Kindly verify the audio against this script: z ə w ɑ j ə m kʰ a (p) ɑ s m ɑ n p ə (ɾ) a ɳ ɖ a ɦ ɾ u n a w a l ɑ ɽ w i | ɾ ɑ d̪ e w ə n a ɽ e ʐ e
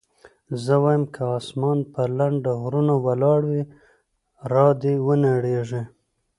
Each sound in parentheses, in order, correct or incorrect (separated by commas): incorrect, incorrect